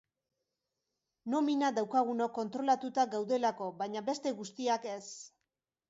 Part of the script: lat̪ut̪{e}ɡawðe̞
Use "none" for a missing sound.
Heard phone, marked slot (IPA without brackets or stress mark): a